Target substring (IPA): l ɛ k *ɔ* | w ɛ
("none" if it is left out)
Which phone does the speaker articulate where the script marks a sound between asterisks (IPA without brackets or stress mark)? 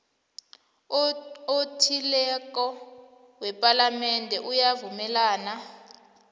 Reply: ɔ